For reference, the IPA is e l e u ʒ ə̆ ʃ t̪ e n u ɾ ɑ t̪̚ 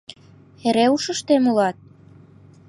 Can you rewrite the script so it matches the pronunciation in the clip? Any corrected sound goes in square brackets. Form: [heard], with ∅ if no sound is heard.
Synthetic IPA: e [ɾ] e u [ʃ] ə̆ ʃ t̪ e [m] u [l] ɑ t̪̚